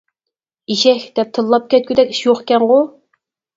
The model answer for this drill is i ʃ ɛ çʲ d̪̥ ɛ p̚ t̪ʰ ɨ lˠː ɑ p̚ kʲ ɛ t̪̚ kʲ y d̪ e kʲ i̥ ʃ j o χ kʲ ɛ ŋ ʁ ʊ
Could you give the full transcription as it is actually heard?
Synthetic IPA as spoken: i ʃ ɛ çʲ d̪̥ ɛ p̚ t̪ʰ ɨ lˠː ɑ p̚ kʲ ɛ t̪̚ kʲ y d̪ ɛ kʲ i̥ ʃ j o χ kʲ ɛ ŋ ʁ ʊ